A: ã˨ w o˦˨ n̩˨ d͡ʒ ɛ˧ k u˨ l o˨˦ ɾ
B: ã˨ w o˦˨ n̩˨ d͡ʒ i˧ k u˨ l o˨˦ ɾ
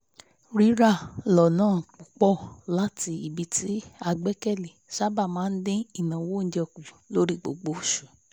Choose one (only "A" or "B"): A